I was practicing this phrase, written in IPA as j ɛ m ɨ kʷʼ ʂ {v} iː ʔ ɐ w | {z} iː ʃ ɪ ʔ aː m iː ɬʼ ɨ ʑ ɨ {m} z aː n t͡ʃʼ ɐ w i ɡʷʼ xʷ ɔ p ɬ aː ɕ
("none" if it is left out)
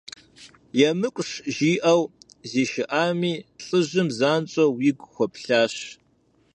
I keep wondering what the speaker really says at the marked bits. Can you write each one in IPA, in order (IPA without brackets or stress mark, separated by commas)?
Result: ʒ, z, m